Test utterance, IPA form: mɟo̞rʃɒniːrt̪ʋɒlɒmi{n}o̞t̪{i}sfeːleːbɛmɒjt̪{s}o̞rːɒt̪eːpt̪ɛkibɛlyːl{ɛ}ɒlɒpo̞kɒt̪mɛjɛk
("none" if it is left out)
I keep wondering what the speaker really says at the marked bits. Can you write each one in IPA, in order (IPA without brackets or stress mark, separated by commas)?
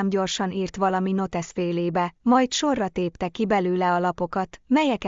n, ɛ, ʃ, ɛ